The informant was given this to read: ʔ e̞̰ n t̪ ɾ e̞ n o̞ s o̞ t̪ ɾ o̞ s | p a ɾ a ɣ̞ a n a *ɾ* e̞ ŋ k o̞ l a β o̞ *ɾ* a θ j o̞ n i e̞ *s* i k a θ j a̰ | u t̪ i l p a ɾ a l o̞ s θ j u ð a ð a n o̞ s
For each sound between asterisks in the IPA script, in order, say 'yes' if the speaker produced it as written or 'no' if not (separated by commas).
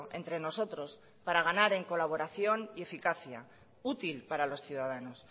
yes, yes, no